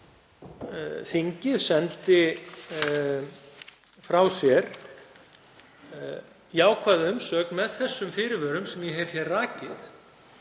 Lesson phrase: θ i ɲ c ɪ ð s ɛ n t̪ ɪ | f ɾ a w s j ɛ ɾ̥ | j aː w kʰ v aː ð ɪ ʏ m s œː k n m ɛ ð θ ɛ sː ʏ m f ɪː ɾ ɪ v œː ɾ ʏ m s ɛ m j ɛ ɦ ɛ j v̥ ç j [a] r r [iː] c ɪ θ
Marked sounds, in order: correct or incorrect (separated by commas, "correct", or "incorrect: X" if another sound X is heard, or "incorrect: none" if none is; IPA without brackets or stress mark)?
incorrect: ɛ, incorrect: aː